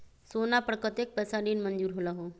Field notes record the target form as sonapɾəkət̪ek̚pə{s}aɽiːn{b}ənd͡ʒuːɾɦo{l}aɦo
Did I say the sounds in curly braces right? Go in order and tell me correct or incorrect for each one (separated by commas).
correct, incorrect, correct